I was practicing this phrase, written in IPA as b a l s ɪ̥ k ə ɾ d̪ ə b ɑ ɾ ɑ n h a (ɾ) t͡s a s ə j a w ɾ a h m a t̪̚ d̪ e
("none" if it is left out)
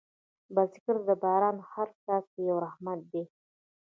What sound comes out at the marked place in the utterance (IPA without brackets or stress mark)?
ɾ